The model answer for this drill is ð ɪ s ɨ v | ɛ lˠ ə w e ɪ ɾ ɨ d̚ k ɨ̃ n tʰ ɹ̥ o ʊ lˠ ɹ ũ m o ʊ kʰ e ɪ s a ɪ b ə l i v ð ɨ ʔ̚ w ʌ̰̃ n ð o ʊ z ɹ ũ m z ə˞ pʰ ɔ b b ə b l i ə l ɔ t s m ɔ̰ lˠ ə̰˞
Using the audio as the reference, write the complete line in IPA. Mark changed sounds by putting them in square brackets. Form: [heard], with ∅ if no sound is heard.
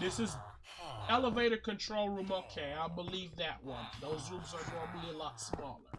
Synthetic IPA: ð ɪ s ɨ [z] | ɛ lˠ ə [v] e ɪ ɾ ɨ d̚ k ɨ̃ n tʰ ɹ̥ o ʊ lˠ ɹ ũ m o ʊ kʰ e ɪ [∅] a ɪ b ə l i v ð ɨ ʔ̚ w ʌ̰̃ n ð o ʊ z ɹ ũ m z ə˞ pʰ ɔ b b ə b l i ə l ɔ t s m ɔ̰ lˠ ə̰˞